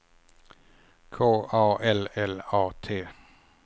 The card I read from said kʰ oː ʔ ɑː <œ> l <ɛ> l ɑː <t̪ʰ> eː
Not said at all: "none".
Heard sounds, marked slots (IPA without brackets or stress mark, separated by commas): ɛ, ɛ, t̪ʰ